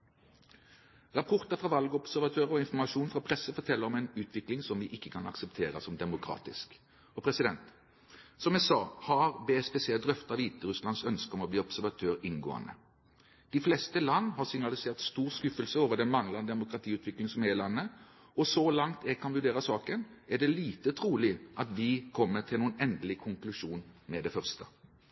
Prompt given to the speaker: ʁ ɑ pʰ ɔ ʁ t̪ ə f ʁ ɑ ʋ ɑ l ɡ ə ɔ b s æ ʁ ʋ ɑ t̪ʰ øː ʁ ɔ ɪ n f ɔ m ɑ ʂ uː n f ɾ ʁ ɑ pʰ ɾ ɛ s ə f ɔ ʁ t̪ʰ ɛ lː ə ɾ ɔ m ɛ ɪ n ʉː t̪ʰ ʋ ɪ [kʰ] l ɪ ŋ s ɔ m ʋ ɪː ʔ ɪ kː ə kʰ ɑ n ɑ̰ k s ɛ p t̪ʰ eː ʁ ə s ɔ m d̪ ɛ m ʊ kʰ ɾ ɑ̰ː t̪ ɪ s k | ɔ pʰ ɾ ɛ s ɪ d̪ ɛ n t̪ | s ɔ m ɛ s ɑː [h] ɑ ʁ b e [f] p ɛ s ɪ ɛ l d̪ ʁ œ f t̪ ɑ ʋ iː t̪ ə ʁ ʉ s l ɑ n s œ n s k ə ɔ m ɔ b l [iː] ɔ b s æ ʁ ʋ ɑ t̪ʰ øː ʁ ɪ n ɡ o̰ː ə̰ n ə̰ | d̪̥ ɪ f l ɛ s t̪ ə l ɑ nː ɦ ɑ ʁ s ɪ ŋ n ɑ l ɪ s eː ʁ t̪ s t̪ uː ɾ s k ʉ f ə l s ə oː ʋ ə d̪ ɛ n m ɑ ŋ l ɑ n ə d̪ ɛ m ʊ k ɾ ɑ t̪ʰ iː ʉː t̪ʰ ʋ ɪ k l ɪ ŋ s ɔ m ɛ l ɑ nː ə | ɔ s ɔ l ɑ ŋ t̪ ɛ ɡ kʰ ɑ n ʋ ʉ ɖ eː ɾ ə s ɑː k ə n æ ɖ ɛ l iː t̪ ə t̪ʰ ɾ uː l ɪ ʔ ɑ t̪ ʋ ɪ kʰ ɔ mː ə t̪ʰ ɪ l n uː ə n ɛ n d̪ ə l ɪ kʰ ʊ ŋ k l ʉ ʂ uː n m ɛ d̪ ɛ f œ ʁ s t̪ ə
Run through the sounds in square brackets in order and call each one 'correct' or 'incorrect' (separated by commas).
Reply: incorrect, correct, incorrect, correct